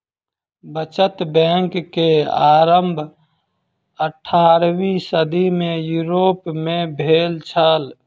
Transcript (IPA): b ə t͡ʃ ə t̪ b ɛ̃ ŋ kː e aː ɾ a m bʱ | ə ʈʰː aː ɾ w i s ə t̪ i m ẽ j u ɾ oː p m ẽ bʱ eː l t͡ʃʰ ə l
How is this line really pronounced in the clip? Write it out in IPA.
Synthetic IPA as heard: b ə t͡ʃ ə t̪ b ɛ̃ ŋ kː e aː ɾ ə m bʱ | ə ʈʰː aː ɾ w i s ə d̪ i m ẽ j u ɾ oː p m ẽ bʱ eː l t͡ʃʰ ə l